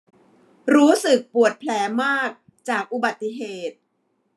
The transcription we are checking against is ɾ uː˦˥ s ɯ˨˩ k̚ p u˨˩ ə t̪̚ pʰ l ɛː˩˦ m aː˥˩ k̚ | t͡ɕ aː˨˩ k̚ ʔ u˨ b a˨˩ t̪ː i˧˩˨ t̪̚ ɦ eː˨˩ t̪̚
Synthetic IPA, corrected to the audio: ɾ uː˦˥ s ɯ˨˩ k̚ p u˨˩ ə t̪̚ pʰ l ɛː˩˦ m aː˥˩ k̚ | t͡ɕ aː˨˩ k̚ ʔ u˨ b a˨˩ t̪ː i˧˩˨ ɦ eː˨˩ t̪̚